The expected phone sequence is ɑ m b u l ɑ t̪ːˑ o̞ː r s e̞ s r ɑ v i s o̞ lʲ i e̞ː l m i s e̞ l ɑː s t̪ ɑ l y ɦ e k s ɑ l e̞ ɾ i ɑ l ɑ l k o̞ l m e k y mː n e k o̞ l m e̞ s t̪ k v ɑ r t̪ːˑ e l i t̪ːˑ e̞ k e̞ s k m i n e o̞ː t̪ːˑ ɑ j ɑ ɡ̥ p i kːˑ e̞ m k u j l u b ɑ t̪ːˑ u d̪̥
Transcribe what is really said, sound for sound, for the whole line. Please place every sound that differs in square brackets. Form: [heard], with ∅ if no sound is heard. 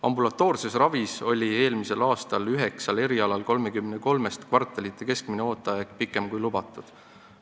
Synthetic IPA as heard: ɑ m b u l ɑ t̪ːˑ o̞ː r s e̞ s r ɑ v i s o̞ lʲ i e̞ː l m i s e̞ l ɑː s t̪ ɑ l y ɦ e k s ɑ l e̞ ɾ i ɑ l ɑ l k o̞ l m e k y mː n e k o̞ l m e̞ s t̪ k v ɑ r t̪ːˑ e l i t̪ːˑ e̞ k e̞ s k m i n e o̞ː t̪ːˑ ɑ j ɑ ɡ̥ p i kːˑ e̞ m k u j l u b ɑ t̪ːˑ u d̪̥